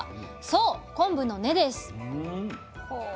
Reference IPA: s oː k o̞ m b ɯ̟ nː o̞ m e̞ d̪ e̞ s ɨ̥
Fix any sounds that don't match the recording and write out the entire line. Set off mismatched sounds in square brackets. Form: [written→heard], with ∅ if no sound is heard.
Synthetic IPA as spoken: s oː k [o̞→õ̞] m b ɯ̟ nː o̞ [m→n] e̞ d̪ e̞ s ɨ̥